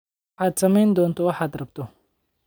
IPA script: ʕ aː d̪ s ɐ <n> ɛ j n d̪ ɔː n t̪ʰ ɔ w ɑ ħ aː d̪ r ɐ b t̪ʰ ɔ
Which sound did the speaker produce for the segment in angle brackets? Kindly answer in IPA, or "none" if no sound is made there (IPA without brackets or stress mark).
m